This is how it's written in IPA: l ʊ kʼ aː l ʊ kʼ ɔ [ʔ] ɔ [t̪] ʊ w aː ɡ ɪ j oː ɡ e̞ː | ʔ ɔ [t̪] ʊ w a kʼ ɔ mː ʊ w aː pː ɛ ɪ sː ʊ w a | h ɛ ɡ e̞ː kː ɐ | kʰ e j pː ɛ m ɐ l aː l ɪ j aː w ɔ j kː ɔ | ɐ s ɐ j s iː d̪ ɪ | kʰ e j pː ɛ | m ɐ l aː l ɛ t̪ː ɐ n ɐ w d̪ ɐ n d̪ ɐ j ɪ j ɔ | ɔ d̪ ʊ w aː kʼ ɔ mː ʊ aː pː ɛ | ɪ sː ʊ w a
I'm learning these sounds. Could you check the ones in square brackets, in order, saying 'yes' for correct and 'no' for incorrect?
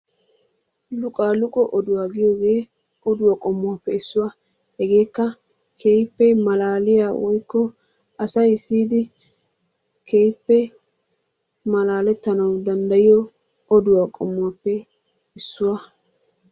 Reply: yes, no, no

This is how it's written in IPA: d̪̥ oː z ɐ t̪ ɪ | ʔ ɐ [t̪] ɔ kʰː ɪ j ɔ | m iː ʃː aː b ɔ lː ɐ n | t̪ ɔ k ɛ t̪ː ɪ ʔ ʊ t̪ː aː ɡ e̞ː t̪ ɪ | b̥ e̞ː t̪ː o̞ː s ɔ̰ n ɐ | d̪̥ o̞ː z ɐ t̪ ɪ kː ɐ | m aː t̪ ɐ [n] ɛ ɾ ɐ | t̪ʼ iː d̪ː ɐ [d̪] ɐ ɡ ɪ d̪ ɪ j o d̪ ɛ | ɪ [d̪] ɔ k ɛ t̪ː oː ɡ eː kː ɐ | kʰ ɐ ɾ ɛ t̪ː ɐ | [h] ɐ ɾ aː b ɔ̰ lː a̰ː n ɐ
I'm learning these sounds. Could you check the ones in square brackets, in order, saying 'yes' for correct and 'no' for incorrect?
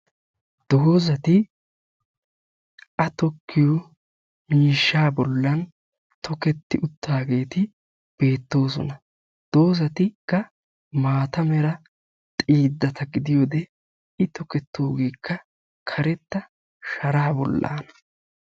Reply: yes, no, no, no, no

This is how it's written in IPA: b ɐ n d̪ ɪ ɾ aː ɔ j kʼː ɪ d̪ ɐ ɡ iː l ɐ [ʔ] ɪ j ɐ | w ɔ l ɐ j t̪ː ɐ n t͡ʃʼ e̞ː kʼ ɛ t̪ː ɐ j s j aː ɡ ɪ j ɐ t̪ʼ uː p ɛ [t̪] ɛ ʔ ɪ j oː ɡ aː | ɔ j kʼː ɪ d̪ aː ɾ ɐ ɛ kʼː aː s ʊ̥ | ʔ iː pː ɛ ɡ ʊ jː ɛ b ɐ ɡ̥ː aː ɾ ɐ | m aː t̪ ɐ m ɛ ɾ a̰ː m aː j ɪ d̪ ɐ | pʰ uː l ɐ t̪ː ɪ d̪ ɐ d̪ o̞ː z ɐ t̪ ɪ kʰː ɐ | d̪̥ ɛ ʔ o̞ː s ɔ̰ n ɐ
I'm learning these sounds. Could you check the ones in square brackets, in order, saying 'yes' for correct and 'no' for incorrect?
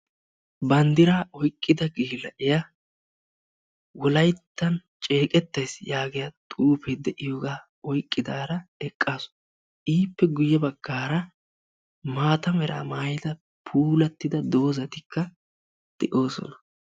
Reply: yes, no

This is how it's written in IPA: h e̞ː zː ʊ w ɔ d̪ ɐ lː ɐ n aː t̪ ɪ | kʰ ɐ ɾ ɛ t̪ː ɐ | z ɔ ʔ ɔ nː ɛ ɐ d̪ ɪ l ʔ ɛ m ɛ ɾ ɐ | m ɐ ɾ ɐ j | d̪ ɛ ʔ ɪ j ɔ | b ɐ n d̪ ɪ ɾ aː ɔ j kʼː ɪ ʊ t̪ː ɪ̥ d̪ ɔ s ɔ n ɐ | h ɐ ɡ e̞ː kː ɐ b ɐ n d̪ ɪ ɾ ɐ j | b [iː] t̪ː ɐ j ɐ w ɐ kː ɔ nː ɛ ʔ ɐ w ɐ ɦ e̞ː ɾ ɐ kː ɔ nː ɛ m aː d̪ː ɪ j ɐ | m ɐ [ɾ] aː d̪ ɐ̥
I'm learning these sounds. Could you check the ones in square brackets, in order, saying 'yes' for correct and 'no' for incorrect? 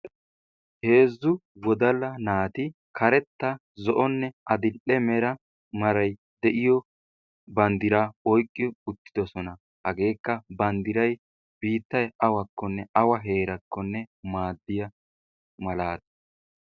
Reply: yes, no

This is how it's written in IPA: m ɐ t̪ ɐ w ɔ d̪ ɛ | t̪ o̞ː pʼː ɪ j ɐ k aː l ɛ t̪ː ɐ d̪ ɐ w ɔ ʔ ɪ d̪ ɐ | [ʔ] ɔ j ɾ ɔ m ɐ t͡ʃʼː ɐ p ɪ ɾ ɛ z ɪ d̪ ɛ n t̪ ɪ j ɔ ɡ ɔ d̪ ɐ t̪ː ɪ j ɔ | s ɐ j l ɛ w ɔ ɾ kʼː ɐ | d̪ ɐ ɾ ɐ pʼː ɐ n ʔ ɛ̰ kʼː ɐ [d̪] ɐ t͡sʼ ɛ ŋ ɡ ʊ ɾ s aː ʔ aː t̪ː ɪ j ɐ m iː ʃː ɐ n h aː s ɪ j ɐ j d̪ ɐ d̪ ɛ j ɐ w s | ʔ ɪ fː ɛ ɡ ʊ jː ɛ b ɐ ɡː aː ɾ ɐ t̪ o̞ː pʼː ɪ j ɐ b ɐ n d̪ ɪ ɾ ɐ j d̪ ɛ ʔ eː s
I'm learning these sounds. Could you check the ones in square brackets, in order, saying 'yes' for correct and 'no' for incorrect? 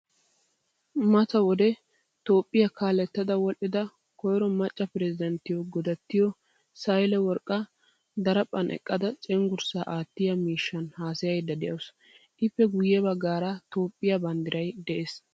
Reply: no, yes

